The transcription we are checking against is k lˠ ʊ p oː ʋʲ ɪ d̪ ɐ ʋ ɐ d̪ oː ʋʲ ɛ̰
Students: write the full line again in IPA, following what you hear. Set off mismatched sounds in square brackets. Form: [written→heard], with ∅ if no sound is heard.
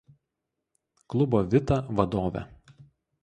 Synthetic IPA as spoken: k lˠ ʊ [p→b] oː ʋʲ ɪ [d̪→t̪] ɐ ʋ ɐ d̪ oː ʋʲ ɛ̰

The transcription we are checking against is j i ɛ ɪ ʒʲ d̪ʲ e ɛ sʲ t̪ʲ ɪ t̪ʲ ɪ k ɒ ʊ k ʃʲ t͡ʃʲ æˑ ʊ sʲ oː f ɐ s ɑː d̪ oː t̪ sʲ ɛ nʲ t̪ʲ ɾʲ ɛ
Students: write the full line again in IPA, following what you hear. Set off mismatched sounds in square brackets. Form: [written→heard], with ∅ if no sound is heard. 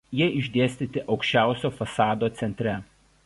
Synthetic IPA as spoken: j i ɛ ɪ ʒʲ d̪ʲ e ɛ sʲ t̪ʲ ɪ t̪ʲ ɪ [k→ʔ] ɒ ʊ k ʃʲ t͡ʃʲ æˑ ʊ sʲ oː f ɐ s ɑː d̪ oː t̪ sʲ ɛ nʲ t̪ʲ ɾʲ ɛ

